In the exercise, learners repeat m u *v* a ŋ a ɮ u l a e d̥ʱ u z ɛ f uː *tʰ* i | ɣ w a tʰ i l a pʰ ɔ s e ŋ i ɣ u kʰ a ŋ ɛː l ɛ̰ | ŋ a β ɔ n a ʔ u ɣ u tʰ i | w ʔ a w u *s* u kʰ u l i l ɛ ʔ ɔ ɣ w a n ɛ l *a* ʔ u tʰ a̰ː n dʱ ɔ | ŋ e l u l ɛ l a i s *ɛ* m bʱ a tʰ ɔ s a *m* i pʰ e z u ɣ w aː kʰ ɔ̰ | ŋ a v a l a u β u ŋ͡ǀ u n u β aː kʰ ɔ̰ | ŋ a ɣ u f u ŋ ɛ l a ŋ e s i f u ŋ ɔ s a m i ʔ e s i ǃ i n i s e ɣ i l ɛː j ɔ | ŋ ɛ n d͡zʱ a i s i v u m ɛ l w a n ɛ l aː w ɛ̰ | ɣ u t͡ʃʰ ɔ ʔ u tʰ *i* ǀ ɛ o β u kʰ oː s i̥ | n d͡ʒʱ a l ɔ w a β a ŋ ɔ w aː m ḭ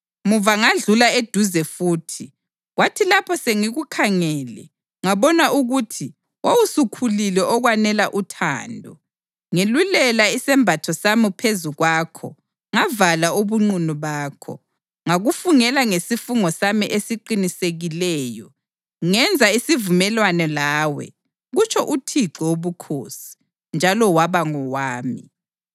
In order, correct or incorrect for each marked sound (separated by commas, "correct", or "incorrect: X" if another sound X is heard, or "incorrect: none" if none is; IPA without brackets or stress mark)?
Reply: correct, correct, correct, correct, correct, correct, correct